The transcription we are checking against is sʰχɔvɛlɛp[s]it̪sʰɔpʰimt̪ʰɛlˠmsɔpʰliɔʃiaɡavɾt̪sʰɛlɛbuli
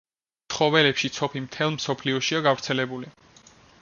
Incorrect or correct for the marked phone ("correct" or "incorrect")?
incorrect